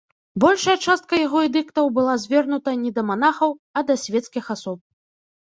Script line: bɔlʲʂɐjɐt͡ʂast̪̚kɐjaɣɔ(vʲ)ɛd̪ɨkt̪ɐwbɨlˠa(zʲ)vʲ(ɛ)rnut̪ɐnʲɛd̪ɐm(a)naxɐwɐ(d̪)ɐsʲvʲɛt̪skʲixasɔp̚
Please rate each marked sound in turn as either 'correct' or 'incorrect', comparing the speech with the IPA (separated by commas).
incorrect, correct, correct, correct, correct